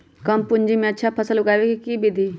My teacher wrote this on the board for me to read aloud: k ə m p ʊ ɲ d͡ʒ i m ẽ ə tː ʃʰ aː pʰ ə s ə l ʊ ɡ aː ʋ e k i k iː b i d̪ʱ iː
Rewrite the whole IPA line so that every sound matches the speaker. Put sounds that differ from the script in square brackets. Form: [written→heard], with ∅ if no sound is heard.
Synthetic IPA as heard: k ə m p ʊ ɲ d͡ʒ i m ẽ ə tː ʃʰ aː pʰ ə s ə l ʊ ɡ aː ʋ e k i k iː b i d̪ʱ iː